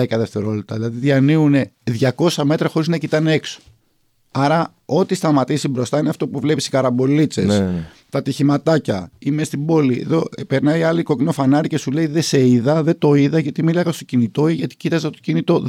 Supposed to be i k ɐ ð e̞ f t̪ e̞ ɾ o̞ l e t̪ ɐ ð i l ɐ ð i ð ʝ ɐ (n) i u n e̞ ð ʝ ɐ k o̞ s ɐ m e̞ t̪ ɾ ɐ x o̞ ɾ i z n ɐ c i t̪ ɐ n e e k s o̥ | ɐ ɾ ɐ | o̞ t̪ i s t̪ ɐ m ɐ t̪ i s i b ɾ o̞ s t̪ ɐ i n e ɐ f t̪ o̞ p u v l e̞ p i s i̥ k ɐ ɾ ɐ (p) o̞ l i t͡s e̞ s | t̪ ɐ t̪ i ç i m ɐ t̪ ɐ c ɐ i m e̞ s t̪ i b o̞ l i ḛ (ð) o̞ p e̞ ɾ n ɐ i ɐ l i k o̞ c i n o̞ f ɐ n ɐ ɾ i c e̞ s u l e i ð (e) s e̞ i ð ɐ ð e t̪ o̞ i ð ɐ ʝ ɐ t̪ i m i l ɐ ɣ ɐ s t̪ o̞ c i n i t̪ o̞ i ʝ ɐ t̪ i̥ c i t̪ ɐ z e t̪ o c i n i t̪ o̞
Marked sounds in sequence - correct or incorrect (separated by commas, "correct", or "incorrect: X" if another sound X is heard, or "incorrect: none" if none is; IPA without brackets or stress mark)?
correct, incorrect: b, correct, correct